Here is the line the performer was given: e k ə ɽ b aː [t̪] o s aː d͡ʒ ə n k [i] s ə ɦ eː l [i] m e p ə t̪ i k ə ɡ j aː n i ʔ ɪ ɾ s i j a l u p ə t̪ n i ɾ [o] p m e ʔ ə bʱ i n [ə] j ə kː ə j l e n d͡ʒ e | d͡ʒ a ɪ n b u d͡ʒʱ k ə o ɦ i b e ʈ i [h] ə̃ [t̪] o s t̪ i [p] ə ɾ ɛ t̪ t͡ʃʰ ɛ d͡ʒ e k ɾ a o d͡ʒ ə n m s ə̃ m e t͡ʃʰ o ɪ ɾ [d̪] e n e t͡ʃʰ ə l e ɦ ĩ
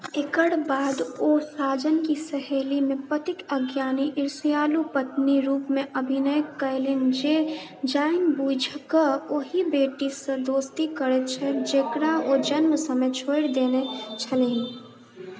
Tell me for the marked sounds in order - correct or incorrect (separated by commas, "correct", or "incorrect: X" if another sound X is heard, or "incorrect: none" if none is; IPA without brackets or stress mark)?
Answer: incorrect: d̪, correct, correct, incorrect: u, correct, incorrect: s, incorrect: d̪, incorrect: k, correct